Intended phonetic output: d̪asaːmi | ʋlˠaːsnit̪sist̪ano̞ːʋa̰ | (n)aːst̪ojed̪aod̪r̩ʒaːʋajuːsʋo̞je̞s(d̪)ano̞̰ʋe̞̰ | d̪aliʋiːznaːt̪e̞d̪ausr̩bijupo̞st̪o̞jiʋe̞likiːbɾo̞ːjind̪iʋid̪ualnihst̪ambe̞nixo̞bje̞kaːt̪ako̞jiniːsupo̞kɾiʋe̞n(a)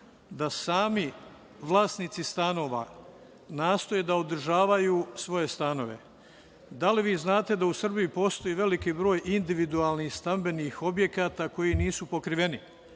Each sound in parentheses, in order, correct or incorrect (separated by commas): correct, incorrect, incorrect